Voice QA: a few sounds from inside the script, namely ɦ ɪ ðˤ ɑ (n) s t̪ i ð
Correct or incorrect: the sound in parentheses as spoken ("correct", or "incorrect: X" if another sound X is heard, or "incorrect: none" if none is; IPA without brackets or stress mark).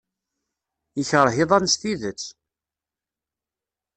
correct